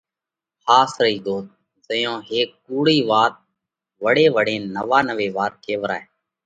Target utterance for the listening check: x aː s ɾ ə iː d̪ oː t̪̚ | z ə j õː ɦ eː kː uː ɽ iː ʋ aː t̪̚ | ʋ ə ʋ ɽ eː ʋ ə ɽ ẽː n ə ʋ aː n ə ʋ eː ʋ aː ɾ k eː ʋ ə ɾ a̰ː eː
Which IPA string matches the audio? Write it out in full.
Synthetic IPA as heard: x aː s ɾ ə iː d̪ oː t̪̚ | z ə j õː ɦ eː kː uː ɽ iː ʋ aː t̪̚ | ʋ ə ɽ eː ʋ ə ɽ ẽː n ə ʋ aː n ə ʋ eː ʋ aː ɾ k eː ʋ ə ɾ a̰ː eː